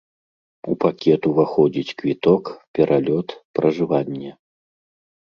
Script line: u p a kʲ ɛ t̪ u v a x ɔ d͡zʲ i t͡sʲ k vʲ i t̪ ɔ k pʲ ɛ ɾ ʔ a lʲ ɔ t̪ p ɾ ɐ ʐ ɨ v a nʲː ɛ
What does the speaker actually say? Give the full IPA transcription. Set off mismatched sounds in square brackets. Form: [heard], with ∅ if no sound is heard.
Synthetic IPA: u p a kʲ ɛ t̪ u v a x ɔ d͡zʲ i t͡sʲ k vʲ i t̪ ɔ k pʲ ɛ ɾ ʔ a lʲ ɔ t̪ p ɾ ɐ ʐ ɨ v a nʲː ɛ